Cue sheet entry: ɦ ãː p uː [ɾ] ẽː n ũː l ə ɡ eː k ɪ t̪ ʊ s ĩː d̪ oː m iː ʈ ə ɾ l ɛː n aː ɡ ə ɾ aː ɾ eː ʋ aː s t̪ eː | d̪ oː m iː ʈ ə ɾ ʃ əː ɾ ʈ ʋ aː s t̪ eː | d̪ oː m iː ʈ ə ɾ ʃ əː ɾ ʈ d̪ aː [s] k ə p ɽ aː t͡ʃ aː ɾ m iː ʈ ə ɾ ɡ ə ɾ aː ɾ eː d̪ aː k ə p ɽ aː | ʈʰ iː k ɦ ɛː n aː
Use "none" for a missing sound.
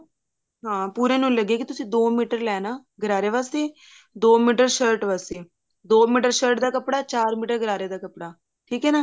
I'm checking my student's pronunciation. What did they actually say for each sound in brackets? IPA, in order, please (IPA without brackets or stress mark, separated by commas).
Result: ɾ, none